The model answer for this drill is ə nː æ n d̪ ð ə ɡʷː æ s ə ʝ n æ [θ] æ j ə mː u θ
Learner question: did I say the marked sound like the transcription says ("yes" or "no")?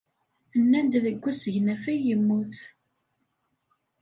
no